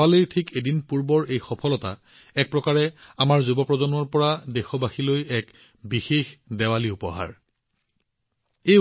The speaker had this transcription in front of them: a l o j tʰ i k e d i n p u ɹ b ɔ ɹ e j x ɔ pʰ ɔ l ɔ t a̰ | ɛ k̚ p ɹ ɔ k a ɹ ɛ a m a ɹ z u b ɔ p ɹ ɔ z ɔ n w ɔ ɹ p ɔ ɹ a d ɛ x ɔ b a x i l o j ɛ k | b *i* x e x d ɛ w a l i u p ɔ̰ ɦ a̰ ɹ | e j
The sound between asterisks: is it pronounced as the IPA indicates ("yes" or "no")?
yes